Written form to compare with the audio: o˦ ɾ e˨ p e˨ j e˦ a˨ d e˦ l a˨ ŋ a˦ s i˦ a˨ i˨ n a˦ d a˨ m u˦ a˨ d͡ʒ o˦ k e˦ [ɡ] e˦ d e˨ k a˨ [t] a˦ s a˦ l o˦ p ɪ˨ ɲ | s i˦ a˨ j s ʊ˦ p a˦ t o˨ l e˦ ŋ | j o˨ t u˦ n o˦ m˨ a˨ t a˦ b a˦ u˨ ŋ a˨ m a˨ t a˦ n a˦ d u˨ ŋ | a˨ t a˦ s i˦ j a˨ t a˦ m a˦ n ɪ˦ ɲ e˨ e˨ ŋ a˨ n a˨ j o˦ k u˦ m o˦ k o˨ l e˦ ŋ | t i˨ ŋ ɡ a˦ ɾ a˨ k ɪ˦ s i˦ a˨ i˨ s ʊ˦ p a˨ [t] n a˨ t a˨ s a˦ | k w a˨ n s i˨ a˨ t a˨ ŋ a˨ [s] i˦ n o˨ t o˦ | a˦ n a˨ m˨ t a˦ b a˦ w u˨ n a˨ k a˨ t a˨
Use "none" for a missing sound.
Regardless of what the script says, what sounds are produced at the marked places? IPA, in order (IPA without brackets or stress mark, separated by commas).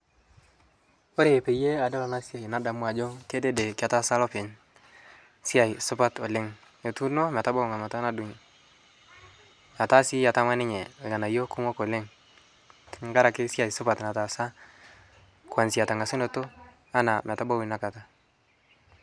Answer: d, t, t, s